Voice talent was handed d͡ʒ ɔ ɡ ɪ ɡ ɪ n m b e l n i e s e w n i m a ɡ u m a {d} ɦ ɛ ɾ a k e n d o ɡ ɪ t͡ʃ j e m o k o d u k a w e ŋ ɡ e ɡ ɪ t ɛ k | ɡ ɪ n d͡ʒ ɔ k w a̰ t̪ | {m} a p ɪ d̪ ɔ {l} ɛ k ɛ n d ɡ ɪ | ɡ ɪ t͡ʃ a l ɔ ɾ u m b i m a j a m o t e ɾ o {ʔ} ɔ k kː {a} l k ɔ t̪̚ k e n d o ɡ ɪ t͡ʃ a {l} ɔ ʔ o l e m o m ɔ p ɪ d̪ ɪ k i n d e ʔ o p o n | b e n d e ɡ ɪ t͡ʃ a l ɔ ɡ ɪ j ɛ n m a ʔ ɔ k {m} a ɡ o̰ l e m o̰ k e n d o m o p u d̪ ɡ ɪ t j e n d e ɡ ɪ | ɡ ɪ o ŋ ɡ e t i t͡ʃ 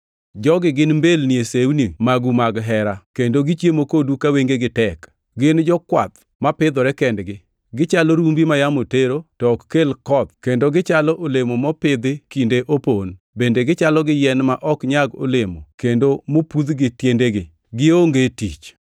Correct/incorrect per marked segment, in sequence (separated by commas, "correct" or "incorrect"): incorrect, correct, incorrect, incorrect, incorrect, correct, incorrect